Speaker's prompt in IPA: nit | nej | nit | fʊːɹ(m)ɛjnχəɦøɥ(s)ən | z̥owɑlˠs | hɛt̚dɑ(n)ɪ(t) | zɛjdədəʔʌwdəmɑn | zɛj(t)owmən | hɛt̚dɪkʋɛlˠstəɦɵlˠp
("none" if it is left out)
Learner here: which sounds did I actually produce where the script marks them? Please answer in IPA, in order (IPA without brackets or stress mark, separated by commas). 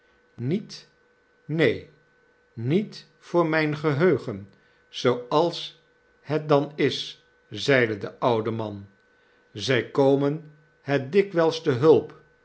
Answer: m, χ, n, s, k